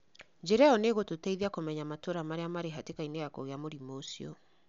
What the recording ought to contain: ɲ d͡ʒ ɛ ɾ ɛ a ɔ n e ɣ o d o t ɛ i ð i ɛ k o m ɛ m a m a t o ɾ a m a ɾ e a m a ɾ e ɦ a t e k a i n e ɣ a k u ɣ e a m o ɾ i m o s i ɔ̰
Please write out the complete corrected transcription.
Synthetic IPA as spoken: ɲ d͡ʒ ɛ ɾ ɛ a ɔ n e ɣ o t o t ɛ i ð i a k o m ɛ ɲ a m a t o ɾ a m a ɾ e a m a ɾ e ɦ a t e k a i n e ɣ a k o ɣ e a m o ɾ i m o s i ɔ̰